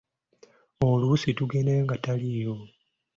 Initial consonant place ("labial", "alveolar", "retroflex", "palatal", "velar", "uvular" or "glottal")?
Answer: alveolar